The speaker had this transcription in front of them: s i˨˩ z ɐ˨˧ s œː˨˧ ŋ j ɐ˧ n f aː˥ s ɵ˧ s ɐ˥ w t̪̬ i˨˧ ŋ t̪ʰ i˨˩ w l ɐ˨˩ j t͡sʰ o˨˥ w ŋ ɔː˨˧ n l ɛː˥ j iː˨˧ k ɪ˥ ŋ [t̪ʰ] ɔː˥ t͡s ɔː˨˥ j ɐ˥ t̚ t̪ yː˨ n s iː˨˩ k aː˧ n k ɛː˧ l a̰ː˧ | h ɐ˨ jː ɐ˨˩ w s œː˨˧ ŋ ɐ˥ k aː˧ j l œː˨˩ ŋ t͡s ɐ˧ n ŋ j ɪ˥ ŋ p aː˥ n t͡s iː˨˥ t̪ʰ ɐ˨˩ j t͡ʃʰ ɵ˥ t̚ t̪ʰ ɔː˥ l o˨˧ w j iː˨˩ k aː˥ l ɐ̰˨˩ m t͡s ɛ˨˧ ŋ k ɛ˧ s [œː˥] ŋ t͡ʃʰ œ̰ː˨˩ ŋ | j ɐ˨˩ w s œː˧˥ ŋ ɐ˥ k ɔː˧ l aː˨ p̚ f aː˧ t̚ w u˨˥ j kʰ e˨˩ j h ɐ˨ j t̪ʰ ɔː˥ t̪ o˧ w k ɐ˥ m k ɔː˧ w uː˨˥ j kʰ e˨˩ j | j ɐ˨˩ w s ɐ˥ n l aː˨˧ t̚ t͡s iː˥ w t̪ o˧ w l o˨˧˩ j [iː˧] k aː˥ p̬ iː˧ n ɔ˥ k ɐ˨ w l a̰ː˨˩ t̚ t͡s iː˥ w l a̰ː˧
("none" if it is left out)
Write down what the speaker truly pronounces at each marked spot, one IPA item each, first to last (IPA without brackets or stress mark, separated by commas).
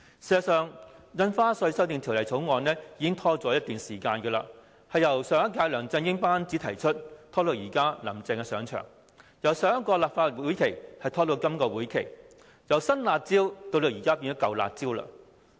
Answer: t̪ʰ, œː˨˧, iː˨˩